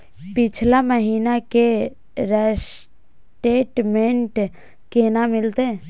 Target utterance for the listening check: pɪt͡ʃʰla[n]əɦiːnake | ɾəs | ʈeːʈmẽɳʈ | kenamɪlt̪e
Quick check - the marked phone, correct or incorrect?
incorrect